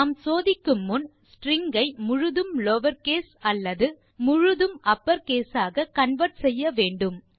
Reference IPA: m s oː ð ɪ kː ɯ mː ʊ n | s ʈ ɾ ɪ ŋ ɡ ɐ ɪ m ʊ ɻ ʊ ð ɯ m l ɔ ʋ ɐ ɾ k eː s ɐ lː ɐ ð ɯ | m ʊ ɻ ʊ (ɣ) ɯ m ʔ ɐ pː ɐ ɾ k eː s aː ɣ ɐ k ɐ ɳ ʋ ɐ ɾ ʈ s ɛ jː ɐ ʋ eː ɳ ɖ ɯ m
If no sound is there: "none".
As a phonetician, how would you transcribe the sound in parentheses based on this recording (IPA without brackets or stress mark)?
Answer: ð